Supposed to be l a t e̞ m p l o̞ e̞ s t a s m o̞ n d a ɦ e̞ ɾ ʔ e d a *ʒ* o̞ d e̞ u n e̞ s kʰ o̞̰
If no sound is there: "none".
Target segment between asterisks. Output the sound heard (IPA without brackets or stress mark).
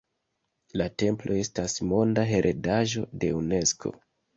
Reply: ʒ